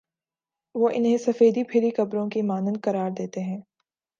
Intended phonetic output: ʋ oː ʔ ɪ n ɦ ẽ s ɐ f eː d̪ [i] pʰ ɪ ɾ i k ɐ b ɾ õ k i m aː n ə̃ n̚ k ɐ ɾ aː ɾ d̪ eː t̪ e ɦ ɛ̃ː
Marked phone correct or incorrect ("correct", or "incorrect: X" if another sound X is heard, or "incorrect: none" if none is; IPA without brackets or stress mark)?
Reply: correct